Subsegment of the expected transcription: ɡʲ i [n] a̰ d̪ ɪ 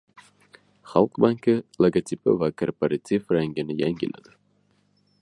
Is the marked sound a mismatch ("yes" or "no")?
no